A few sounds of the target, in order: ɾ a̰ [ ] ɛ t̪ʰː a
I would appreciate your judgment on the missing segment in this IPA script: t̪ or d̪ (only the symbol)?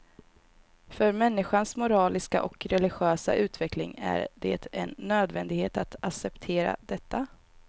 d̪